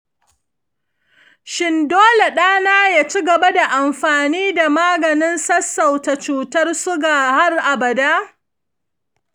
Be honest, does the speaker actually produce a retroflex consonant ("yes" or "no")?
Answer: no